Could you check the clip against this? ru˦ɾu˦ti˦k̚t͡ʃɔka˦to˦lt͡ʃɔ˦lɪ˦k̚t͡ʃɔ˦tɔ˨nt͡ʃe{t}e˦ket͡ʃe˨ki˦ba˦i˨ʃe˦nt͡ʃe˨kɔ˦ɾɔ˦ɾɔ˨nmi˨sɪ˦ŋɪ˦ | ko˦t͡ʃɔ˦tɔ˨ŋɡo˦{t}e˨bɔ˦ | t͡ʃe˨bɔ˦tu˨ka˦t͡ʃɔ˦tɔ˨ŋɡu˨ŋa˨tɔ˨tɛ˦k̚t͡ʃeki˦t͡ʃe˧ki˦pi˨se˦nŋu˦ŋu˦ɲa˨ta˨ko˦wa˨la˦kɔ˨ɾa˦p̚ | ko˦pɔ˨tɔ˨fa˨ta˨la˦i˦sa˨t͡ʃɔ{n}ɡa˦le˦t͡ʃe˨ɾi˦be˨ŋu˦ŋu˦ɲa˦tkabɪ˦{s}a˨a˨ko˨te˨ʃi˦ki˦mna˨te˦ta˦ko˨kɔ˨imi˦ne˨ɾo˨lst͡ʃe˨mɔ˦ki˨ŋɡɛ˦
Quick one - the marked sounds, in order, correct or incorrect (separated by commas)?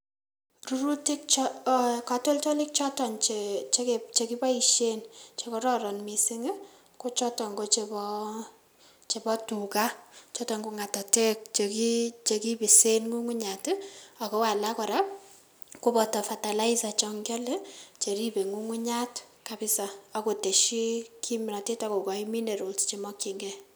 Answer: incorrect, incorrect, incorrect, correct